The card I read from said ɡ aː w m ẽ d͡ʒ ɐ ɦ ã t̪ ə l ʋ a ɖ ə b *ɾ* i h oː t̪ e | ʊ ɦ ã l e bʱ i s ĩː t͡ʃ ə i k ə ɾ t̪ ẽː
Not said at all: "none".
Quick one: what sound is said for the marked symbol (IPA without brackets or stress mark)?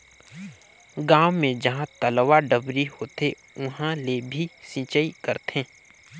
ɾ